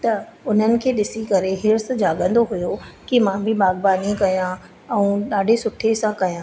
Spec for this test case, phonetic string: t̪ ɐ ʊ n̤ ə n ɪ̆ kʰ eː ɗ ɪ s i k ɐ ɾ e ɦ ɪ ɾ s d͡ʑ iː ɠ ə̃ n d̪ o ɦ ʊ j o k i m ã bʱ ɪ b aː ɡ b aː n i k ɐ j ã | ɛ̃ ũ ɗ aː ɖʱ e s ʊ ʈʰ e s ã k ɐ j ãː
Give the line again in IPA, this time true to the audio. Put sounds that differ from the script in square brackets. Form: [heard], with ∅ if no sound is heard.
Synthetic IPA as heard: t̪ ɐ ʊ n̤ ə n ɪ̆ kʰ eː ɗ ɪ s i k ɐ ɾ e ɦ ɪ ɾ s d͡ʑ [aː] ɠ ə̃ n d̪ o ɦ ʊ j o k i m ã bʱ ɪ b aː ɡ b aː n i k ɐ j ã | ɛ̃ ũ ɗ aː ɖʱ e s ʊ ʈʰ e s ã k ɐ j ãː